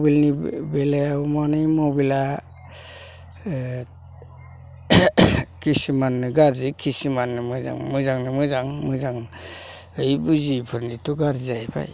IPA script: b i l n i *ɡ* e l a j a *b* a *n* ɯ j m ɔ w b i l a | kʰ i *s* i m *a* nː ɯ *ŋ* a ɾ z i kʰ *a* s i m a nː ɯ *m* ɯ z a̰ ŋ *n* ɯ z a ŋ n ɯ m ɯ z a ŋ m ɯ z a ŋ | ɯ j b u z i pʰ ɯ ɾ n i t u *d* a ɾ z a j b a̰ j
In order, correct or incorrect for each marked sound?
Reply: incorrect, incorrect, correct, correct, correct, incorrect, incorrect, correct, incorrect, incorrect

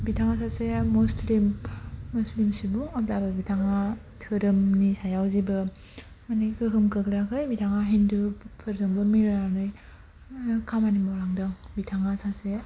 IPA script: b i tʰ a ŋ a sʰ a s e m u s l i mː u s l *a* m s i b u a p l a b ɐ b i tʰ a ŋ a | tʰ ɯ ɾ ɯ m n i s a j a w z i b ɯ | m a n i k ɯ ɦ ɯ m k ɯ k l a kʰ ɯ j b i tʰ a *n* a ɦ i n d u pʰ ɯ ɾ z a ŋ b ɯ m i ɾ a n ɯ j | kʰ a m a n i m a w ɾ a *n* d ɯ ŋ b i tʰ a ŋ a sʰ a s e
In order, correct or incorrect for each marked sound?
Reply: incorrect, incorrect, incorrect

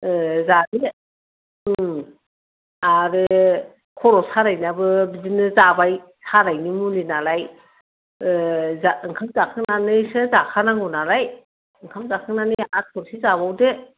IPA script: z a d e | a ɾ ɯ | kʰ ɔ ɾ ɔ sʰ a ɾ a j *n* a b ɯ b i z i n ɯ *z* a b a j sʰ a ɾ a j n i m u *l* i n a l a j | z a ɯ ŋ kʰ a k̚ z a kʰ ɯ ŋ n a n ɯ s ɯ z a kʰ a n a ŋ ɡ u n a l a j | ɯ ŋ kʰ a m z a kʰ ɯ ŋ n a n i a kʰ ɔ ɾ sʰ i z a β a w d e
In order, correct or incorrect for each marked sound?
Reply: correct, correct, correct

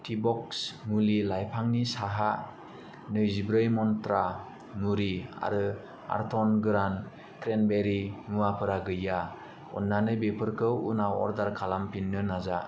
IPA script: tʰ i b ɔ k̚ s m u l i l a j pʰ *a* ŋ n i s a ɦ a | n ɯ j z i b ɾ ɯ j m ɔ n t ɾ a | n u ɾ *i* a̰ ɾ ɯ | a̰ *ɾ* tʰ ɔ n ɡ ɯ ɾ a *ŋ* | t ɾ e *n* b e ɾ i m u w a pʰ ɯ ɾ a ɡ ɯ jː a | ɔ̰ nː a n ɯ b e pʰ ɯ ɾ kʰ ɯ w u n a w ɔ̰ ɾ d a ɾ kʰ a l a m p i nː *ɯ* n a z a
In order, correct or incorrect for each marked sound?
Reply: correct, correct, correct, incorrect, correct, correct

